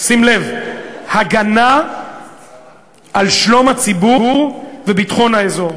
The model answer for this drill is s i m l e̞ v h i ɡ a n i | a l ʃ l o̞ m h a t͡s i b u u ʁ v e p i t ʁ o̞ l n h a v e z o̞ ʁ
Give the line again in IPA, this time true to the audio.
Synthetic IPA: s i m l e̞ v h a ɡ a n a | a l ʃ l o̞ m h a t͡s i b u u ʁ v e b i t χ o̞ n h a e z o̞ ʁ

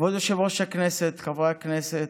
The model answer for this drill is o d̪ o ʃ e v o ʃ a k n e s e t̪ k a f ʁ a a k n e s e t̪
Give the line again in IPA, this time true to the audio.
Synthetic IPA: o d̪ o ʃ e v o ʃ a k n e s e t̪ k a v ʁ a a k n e s e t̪

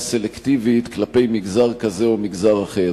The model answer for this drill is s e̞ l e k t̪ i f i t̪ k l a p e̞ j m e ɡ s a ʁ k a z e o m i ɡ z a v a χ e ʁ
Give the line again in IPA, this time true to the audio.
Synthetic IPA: s e̞ l e k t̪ i v i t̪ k l a p e̞ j m i ɡ z a ʁ k a z e o m i ɡ z a ʁ a χ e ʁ

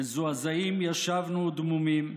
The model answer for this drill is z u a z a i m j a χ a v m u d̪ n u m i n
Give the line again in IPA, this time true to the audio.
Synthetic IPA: z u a z a i m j a ʃ a v n u d̪ m u m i m

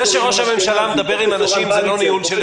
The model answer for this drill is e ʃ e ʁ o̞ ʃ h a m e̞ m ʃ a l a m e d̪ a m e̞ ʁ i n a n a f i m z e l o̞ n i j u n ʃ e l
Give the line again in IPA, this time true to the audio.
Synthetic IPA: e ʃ e ʁ o̞ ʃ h a m e̞ m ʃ a l a m e d̪ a b e̞ ʁ i m a n a ʃ i m z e l o̞ n i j u n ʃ e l

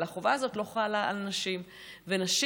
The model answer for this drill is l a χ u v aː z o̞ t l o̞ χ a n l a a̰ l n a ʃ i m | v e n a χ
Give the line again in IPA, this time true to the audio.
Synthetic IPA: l a χ o v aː z o̞ t l o̞ χ a l a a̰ l n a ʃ i m | v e n a ʃ

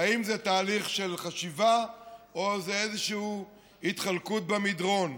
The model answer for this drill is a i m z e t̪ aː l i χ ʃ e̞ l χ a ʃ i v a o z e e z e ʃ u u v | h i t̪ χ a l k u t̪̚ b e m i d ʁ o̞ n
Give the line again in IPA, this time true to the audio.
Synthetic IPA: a i m z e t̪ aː l i χ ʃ e̞ l χ a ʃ i v a o z e e z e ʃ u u | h i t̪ χ a l k u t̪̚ b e m i d ʁ o̞ n

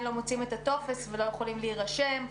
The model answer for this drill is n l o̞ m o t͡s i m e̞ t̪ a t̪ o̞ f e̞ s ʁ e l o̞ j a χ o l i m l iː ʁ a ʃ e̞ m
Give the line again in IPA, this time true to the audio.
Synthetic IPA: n l o̞ m o t͡s i m e̞ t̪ a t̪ o̞ f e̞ s v e l o̞ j e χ o l i m l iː ʁ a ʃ e̞ m

